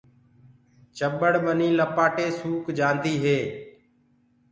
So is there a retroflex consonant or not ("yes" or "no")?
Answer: yes